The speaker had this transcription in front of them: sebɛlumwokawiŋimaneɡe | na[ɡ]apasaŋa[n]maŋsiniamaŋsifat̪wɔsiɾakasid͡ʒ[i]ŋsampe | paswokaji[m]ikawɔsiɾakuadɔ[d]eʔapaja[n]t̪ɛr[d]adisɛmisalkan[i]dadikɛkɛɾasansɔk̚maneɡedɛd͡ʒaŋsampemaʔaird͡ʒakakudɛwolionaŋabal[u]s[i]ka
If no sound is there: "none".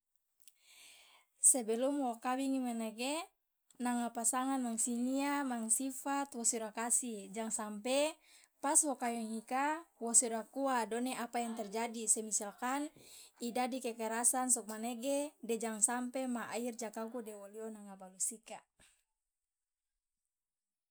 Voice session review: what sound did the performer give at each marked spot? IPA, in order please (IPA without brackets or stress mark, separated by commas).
ŋ, n, a, ŋ, n, ŋ, d͡ʒ, i, u, i